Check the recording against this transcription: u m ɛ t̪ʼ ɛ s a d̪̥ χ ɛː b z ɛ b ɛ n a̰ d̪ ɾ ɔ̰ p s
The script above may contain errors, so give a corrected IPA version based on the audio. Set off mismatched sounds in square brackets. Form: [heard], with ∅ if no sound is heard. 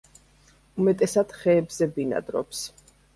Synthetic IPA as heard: u m ɛ t̪ʼ ɛ s a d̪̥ χ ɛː b z ɛ b [i] n a̰ d̪ ɾ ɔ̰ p s